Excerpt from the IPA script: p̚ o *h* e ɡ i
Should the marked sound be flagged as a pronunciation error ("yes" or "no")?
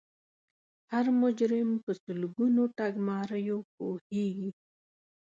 no